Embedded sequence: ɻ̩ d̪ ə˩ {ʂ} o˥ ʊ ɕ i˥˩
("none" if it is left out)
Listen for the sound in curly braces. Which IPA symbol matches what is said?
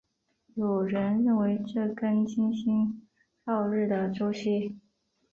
ʈ͡ʂ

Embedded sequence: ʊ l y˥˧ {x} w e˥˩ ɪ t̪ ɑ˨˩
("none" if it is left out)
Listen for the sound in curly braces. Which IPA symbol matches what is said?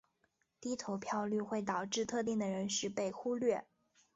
x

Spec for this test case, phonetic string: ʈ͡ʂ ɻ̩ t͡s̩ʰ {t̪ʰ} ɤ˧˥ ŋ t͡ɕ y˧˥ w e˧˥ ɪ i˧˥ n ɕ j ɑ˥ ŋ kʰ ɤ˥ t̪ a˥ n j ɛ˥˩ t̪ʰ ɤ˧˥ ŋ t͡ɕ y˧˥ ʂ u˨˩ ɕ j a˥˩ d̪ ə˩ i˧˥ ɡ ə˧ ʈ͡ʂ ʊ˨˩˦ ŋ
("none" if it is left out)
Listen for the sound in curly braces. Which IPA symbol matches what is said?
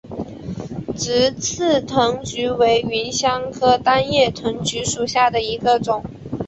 t̪ʰ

